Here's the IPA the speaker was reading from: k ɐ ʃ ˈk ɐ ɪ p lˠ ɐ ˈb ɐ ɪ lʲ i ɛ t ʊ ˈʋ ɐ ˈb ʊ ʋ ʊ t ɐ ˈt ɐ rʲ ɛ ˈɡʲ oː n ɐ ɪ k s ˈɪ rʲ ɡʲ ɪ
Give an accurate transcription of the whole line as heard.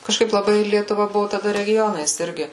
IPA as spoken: k ɐ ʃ ˈk ɐ ɪ p lˠ ɐ ˈb ɐ ɪ lʲ i ɛ t ʊ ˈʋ ɐ ˈb ʊ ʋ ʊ t ɐ ˈd ɐ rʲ ɛ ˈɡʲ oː n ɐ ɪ s ˈɪ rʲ ɡʲ ɪ